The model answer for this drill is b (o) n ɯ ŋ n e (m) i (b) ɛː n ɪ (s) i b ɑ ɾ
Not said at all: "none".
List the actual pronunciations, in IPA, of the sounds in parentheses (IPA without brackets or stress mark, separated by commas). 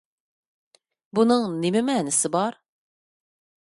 u, m, m, s